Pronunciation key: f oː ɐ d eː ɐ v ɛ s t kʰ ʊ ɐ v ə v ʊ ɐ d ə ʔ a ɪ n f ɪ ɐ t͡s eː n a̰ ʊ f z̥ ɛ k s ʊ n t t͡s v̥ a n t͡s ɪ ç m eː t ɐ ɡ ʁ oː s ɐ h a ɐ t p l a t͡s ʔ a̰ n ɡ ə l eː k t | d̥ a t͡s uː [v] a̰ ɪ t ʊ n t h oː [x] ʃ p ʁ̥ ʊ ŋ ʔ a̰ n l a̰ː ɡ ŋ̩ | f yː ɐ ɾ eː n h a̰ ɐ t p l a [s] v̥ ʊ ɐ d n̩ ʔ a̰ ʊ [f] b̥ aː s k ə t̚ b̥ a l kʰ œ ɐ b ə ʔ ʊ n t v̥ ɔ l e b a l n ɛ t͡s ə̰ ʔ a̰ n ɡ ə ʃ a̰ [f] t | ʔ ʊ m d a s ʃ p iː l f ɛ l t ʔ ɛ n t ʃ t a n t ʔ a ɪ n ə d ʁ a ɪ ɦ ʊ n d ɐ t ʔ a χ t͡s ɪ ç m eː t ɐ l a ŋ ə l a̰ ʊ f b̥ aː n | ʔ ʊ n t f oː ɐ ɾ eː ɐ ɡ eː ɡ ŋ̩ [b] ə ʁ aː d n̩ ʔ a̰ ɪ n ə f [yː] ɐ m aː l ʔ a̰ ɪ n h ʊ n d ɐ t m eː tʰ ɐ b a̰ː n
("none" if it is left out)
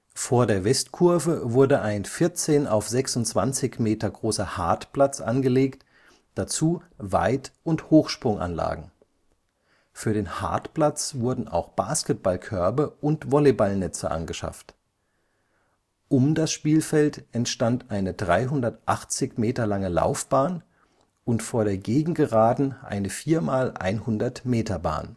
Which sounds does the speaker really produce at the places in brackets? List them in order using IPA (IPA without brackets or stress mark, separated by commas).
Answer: v, x, t͡s, x, f, ɡ, iː